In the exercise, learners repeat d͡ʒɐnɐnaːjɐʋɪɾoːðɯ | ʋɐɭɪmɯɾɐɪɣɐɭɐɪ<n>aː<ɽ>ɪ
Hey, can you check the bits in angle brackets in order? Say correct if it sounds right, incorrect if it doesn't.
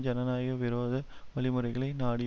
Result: correct, correct

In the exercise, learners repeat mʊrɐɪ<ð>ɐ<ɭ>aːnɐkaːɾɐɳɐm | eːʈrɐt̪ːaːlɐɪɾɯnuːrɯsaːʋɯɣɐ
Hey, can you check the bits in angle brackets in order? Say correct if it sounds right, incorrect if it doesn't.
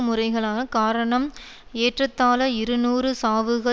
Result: incorrect: ɣ, correct

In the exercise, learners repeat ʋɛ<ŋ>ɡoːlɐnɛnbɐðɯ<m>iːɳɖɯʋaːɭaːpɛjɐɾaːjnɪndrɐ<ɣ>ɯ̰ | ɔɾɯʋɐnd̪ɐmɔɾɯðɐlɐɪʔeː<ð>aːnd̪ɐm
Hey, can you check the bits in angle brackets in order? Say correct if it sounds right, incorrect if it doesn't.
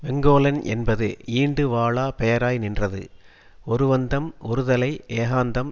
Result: correct, incorrect: none, incorrect: ð, incorrect: ɣ

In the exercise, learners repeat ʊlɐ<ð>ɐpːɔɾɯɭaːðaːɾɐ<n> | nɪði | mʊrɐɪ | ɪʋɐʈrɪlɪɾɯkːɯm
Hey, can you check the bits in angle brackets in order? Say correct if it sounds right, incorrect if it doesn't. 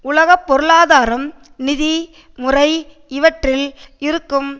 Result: incorrect: ɣ, incorrect: m

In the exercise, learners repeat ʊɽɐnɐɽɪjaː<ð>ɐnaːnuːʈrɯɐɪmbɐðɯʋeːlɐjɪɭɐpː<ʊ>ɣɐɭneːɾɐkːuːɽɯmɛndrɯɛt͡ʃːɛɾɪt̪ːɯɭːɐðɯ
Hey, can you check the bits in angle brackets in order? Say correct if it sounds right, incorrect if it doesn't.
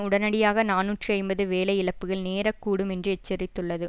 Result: incorrect: ɣ, incorrect: ɯ

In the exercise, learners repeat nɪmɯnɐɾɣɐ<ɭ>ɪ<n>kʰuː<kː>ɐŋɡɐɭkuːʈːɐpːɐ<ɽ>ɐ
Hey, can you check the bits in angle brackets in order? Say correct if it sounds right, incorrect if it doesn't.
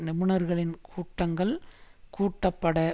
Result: correct, correct, incorrect: ʈː, correct

